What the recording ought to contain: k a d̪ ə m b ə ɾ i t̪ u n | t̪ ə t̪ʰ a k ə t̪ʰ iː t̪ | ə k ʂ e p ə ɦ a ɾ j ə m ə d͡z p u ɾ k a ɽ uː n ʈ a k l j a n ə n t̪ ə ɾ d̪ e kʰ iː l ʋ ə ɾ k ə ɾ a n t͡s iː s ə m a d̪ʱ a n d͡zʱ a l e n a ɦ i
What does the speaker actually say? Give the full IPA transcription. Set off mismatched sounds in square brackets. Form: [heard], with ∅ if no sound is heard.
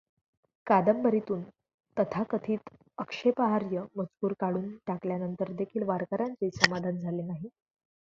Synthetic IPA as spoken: k a d̪ ə m b ə ɾ i t̪ [uː] n | t̪ ə t̪ʰ a k ə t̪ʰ iː t̪ | ə k ʂ e p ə ɦ a ɾ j ə m ə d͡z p [uː] ɾ k a ɽ uː n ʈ a k l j a n ə n t̪ ə ɾ d̪ e kʰ iː l ʋ [a] ɾ k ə ɾ a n t͡s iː s ə m a d̪ʱ a n d͡zʱ a l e n a ɦ i